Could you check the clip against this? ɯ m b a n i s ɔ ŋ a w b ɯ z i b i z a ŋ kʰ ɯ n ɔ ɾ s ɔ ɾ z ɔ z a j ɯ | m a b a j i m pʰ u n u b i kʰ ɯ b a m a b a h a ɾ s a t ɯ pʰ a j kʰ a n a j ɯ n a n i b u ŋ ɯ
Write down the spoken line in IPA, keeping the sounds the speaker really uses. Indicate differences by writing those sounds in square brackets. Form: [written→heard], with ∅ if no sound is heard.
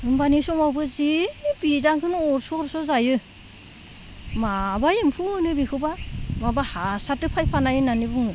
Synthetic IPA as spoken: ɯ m b a n i s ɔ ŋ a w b ɯ z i b i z a ŋ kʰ ɯ n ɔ ɾ s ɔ ɾ [z→s] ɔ z a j ɯ | m a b a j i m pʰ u n [u→ɯ] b i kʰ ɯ b a m a b a h a [ɾ→∅] s a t ɯ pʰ a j [kʰ→pʰ] a n a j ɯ n a n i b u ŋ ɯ